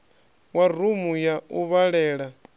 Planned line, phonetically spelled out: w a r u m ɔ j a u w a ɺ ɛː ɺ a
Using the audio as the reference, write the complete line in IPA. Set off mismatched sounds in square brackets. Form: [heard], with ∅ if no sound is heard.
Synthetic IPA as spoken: w a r u m [u] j a u [β] a ɺ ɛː ɺ a

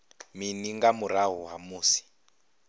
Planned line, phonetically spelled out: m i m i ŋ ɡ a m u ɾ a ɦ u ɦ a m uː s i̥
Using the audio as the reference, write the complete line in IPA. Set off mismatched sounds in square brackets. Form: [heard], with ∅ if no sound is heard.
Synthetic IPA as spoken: m i [n] i ŋ ɡ a m u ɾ a ɦ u ɦ a m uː s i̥

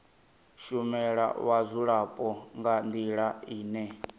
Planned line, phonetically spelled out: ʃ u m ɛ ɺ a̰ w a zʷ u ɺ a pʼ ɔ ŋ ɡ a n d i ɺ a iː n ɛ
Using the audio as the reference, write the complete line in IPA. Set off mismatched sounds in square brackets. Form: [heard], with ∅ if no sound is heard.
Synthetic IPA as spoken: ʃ u m ɛ ɺ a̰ w a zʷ u ɺ a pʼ ɔ ŋ ɡ a n d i ɺ a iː n ɛ

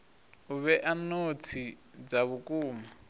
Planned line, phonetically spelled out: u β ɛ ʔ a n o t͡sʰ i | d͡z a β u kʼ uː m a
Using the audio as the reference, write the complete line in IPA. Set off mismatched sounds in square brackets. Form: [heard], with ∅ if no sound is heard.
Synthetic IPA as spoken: u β ɛ ʔ a n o t͡sʰ i | d͡z a β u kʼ uː m a

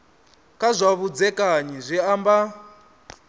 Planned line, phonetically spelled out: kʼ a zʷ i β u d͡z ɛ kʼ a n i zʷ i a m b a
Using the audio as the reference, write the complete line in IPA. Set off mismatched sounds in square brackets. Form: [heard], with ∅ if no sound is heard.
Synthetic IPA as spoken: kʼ a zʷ [a] β u d͡z ɛ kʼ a [ɲ] i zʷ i a m b a

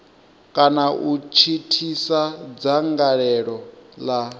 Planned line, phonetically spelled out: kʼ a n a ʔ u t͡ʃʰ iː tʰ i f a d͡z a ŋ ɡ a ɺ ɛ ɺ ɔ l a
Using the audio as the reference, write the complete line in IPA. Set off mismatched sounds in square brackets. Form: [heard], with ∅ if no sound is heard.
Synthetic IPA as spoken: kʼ a n a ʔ u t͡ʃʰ [i] tʰ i [s] a d͡z a ŋ ɡ a ɺ ɛ ɺ ɔ l a

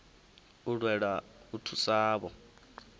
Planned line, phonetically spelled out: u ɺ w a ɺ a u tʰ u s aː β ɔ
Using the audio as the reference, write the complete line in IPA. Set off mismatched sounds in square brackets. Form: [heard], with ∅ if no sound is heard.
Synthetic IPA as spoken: u ɺ w [ɛ] ɺ a u tʰ u s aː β ɔ

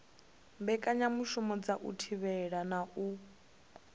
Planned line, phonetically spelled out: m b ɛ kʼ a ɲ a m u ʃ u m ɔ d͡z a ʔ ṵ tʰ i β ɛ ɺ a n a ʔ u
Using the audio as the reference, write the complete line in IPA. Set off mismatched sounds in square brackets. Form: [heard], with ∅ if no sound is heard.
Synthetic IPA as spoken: m b ɛ kʼ a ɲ a m u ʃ u m ɔ d͡z a ʔ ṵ tʰ i β ɛ ɺ a n a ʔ u

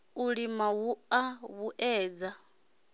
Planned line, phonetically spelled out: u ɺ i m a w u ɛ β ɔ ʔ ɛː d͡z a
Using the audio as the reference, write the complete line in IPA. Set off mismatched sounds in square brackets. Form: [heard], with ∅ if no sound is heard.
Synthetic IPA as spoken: u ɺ i m a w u [a] β [u] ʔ ɛː d͡z a

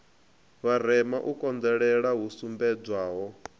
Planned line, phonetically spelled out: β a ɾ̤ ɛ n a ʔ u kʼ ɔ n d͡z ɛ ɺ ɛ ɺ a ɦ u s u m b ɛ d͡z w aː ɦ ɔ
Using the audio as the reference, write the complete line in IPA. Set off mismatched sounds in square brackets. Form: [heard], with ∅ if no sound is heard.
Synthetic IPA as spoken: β a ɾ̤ ɛ [m] a ʔ u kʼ ɔ n d͡z ɛ ɺ ɛ ɺ a ɦ u s u m b ɛ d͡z w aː ɦ ɔ

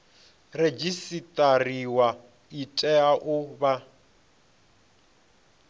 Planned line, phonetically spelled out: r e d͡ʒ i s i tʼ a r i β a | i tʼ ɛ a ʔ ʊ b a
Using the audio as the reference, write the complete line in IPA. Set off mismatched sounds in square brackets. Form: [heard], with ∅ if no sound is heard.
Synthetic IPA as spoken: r e d͡ʒ i s i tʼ a r i [w] a | i tʼ ɛ a ʔ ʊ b a

